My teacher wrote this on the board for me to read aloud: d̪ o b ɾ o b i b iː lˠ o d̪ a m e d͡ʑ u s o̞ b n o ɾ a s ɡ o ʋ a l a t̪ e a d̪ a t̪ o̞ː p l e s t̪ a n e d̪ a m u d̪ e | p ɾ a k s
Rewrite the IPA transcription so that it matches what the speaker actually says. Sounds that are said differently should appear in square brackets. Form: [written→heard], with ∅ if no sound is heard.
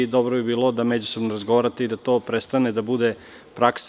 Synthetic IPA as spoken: d̪ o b ɾ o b i b iː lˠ o d̪ a m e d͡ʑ u s o̞ b n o ɾ a [s→z] ɡ o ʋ a [l→ɾ] a t̪ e [a→i] d̪ a t̪ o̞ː p [l→ɾ] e s t̪ a n e d̪ a [m→b] u d̪ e | p ɾ a k s